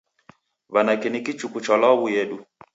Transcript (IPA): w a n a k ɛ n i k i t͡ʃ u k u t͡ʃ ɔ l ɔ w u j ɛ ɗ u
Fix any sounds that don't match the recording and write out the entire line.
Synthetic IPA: β a n a k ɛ n i k i t͡ʃ u k u t͡ʃ ɔ l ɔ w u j ɛ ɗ u